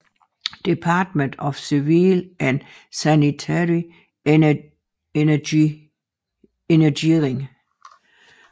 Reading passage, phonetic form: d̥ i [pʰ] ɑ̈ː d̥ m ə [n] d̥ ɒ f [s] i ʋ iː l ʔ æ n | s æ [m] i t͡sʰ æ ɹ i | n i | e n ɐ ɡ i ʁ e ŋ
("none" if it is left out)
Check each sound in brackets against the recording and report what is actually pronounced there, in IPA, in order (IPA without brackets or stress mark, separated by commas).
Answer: pʰ, n, s, n